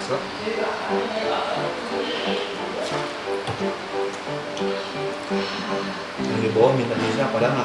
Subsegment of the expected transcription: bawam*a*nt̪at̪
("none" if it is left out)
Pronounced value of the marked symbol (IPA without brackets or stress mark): i